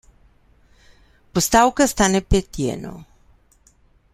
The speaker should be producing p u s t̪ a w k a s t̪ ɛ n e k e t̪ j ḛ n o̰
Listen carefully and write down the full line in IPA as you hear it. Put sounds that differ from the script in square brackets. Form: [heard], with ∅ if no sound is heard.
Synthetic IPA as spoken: p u s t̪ a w k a s t̪ [a] n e [p] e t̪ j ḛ n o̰